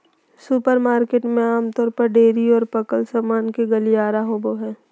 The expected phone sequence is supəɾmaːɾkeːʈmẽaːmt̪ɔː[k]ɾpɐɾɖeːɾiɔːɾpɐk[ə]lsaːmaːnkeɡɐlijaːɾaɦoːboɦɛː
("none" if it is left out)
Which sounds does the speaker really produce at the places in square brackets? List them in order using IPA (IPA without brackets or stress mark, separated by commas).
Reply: none, ə